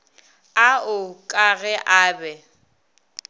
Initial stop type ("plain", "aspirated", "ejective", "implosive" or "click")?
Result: ejective